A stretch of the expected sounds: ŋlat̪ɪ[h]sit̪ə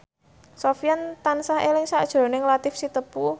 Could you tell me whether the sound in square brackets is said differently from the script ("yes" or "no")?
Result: yes